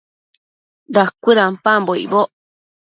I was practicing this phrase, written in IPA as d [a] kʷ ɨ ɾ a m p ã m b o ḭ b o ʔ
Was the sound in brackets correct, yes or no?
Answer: yes